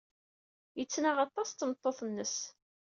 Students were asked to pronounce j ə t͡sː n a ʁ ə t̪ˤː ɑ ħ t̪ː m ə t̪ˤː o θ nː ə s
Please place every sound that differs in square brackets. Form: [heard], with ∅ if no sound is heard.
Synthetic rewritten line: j ə t͡sː n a ʁ [ɑ] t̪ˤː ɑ [s] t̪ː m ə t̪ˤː o θ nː ə s